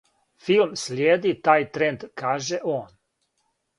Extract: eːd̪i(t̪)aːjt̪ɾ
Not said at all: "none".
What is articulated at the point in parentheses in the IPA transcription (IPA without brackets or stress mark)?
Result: t̪